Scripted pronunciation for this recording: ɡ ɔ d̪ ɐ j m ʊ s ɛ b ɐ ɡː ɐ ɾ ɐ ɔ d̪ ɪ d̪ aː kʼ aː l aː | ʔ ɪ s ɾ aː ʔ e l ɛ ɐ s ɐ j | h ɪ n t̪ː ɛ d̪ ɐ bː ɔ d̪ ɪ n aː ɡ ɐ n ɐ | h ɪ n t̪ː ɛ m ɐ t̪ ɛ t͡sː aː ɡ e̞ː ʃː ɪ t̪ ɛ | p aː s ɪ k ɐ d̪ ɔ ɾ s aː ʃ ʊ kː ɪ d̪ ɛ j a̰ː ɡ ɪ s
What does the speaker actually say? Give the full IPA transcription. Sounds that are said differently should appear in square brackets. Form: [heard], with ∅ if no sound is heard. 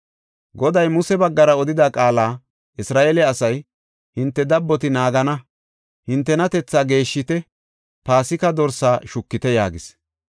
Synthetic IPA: ɡ ɔ d̪ ɐ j m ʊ s ɛ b ɐ ɡː ɐ ɾ ɐ ɔ d̪ ɪ d̪ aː kʼ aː l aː | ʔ ɪ s ɾ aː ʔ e l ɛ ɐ s ɐ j | h ɪ n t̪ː ɛ d̪ ɐ bː ɔ [t̪] ɪ n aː ɡ ɐ n ɐ | h ɪ n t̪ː ɛ [n] ɐ t̪ ɛ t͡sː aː ɡ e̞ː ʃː ɪ t̪ ɛ | p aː s ɪ k ɐ d̪ ɔ ɾ s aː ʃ ʊ kː ɪ [t̪] ɛ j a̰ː ɡ ɪ s